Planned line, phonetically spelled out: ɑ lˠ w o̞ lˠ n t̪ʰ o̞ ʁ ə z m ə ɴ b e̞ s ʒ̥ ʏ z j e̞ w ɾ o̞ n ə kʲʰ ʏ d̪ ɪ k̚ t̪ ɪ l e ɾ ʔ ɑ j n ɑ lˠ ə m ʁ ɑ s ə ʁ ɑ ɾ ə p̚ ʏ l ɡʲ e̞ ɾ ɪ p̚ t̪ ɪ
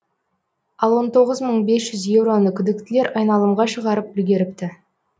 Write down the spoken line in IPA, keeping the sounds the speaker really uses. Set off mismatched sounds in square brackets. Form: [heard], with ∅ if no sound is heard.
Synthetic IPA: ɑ lˠ w o̞ [∅] n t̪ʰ o̞ ʁ ə z m ə ɴ b e̞ s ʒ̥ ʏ z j e̞ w ɾ o̞ n ə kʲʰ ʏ d̪ ɪ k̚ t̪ ɪ l e ɾ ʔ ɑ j n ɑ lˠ ə m ʁ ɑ [ʃ] ə ʁ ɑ ɾ ə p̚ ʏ l ɡʲ e̞ ɾ ɪ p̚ t̪ ɪ